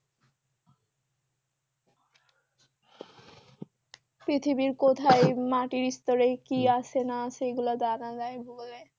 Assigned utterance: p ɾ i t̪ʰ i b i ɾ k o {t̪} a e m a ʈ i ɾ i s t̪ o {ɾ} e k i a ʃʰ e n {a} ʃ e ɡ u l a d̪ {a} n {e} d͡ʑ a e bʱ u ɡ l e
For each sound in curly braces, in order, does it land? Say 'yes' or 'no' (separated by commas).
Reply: no, yes, yes, yes, no